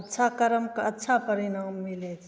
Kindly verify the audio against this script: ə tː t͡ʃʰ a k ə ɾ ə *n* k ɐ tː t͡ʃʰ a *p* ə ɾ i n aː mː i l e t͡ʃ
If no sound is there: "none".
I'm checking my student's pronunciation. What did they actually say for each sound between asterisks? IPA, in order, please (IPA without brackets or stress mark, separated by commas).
m, p